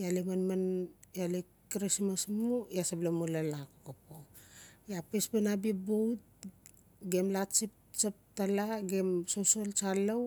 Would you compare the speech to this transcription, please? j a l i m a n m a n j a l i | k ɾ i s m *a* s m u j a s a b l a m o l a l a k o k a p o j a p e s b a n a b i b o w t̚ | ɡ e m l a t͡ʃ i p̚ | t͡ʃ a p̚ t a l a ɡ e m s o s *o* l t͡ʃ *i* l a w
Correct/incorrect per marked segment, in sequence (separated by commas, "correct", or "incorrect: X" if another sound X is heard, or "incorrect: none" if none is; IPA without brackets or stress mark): correct, correct, incorrect: a